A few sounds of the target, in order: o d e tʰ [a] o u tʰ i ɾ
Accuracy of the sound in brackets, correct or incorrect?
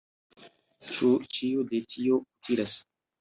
incorrect